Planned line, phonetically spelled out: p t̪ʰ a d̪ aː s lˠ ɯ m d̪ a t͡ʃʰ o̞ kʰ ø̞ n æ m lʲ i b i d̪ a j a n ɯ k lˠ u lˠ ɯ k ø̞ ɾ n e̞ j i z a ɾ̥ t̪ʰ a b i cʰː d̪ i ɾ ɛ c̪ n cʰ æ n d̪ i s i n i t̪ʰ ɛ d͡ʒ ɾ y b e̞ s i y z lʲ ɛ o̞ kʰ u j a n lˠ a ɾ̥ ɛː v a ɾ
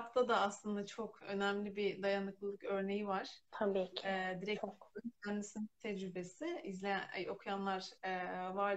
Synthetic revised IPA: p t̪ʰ a d̪ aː s lˠ ɯ n d̪ a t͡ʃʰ o̞ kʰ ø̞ n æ m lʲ i b i d̪ a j a n ɯ k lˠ ɯ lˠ ɯ k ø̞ ɾ n e̞ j i v a ɾ̥ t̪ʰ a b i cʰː d̪ i ɾ ɛ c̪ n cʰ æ n d̪ i s i n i t̪ʰ ɛ d͡ʒ ɾ y b e̞ s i i z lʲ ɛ o̞ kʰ u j a n lˠ a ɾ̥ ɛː v a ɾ